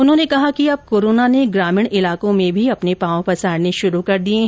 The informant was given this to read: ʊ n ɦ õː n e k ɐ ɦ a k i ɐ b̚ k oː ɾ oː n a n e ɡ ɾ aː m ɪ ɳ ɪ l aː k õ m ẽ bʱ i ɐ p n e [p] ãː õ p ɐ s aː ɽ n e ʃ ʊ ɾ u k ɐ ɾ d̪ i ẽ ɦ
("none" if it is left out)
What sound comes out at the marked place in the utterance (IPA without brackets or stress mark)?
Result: p